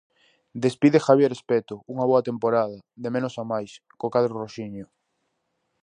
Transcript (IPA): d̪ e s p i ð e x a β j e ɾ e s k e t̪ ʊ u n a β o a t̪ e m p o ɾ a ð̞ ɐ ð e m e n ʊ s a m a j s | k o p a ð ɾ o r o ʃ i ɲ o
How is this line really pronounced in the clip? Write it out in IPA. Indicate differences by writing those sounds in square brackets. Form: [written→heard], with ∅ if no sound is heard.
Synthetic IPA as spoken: d̪ e s p i ð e x a β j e ɾ e s [k→p] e t̪ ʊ u [n→ŋ] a β o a t̪ e m p o ɾ a ð̞ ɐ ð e m e n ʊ s a m a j s | k o [p→k] a ð ɾ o r o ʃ i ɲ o